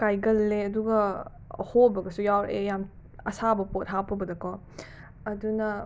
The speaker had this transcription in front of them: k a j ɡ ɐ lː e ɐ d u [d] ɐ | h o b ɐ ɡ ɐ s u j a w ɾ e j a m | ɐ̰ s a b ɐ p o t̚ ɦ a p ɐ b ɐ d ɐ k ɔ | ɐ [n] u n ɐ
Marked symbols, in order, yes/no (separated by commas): no, no